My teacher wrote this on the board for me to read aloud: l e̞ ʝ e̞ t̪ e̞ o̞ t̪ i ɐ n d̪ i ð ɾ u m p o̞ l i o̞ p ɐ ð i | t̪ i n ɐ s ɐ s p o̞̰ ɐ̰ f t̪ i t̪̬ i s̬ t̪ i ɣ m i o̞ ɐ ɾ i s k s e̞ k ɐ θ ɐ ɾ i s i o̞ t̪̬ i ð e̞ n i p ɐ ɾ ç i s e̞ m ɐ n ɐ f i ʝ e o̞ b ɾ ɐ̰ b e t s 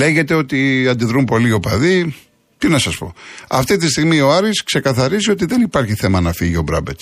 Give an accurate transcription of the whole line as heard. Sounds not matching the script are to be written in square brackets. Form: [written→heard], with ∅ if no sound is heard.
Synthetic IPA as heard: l e̞ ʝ e̞ t̪ e̞ o̞ t̪ i ɐ n d̪ i ð ɾ u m p o̞ l i o̞ p ɐ ð i | t̪ i n ɐ s ɐ s p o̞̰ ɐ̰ f t̪ i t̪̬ i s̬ t̪ i ɣ m i o̞ ɐ ɾ i s k s e̞ k ɐ θ ɐ ɾ i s i o̞ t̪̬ i ð e̞ n i p ɐ ɾ ç i [s→θ] e̞ m ɐ n ɐ f i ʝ [e→i] o̞ b ɾ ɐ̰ b e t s